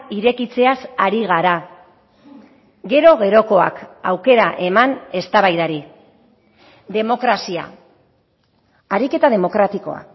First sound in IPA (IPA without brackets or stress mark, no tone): i